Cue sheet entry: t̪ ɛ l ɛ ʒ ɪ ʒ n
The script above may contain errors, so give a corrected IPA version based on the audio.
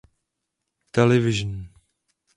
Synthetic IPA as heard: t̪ ɛ l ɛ v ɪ ʒ n

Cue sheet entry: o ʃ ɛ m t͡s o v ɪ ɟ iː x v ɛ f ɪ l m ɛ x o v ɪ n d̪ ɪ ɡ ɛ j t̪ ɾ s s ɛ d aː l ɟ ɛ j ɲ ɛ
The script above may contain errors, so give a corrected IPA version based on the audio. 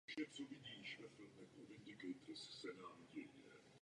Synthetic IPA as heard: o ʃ ɛ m t͡s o v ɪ ɟ iː ʃ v ɛ f ɪ l m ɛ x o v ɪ n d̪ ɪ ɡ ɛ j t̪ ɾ s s ɛ n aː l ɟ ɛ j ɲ ɛ

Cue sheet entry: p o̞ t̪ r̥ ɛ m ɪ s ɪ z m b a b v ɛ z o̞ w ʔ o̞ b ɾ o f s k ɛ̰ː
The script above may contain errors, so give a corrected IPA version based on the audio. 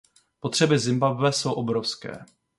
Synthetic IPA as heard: p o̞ t̪ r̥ ɛ b ɪ z ɪ m b a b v ɛ s o̞ w ʔ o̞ b ɾ o f s k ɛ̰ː

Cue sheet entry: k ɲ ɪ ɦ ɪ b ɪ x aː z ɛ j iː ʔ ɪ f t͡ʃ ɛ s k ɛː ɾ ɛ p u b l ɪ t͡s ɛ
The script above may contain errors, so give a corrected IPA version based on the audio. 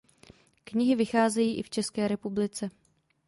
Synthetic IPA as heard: k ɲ ɪ ɦ ɪ v ɪ x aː z ɛ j iː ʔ ɪ f t͡ʃ ɛ s k ɛː ɾ ɛ p u b l ɪ t͡s ɛ

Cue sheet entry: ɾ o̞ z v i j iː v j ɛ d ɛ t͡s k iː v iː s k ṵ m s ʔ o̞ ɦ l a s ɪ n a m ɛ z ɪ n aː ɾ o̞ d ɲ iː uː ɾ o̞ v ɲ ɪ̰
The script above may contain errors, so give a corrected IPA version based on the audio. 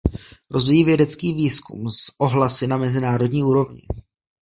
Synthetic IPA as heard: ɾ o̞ z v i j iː v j ɛ d ɛ t͡s k iː v iː s k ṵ m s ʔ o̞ ɦ l a s ɪ n a m ɛ z ɪ n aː ɾ o̞ d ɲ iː uː ɾ o̞ v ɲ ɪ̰

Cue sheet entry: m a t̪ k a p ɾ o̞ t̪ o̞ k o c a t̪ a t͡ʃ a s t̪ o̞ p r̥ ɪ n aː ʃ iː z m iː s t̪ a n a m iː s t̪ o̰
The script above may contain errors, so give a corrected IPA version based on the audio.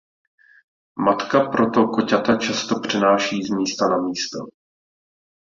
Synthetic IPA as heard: m a t̪ k a p ɾ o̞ t̪ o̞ k o c a t̪ a t͡ʃ a s t̪ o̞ p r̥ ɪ n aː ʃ iː z m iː s t̪ a n a m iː s t̪ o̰

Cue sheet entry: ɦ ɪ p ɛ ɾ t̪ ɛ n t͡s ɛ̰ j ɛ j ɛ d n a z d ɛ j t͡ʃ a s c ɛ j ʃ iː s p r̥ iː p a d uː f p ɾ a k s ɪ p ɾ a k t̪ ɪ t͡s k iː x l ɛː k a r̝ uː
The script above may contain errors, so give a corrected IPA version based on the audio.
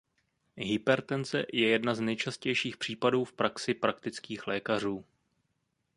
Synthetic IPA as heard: ɦ ɪ p ɛ ɾ t̪ ɛ n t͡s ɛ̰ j ɛ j ɛ d n a z n ɛ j t͡ʃ a s c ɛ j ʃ iː x p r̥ iː p a d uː f p ɾ a k s ɪ p ɾ a k t̪ ɪ t͡s k iː x l ɛː k a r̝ uː

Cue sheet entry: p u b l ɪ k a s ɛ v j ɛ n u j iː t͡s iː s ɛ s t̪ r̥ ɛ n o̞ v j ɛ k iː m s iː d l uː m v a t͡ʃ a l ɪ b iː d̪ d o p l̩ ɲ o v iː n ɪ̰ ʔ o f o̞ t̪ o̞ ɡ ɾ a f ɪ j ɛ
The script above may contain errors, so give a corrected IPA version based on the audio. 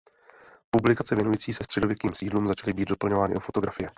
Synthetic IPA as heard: p u b l ɪ k a t͡s ɛ v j ɛ n u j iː t͡s iː s ɛ s t̪ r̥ ɛ d o̞ v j ɛ k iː m s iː d l uː m z a t͡ʃ a l ɪ b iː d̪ d o p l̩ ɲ o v aː n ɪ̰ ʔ o f o̞ t̪ o̞ ɡ ɾ a f ɪ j ɛ

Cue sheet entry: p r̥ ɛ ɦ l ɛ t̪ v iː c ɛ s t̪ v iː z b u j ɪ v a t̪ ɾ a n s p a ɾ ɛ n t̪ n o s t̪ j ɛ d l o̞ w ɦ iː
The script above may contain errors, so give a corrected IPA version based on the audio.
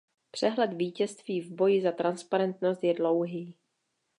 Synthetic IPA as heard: p r̥ ɛ ɦ l ɛ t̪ v iː c ɛ s t̪ v iː v b o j ɪ z a t̪ ɾ a n s p a ɾ ɛ n t̪ n o s t̪ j ɛ d l o̞ w ɦ iː

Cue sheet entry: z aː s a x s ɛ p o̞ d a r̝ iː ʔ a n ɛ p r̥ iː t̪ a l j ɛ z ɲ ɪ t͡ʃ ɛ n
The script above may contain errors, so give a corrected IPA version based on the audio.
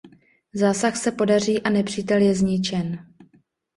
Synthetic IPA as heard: z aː s a x s ɛ p o̞ d a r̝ iː ʔ a n ɛ p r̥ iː t̪ ɛ l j ɛ z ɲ ɪ t͡ʃ ɛ n

